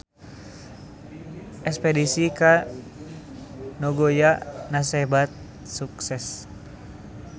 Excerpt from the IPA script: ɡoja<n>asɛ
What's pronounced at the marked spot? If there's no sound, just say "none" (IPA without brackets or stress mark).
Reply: n